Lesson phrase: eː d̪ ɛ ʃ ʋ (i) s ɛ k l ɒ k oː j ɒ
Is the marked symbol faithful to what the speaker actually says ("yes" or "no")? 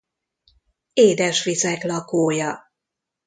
yes